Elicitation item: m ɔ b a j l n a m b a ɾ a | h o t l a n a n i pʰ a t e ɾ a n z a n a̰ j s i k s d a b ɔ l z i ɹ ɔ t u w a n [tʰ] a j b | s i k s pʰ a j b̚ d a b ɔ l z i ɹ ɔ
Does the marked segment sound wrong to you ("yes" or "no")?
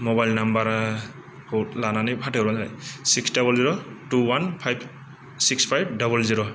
yes